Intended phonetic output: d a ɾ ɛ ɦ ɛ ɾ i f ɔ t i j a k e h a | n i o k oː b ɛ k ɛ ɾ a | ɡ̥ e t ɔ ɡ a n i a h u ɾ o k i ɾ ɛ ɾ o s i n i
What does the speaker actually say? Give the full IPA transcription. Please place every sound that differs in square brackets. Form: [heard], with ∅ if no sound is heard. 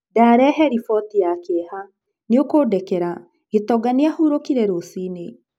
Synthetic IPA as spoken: d a ɾ ɛ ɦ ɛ ɾ i f ɔ t i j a k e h a | n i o k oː [d] ɛ k ɛ ɾ a | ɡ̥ e t ɔ ɡ a n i a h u ɾ o k i ɾ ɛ ɾ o s i n [e]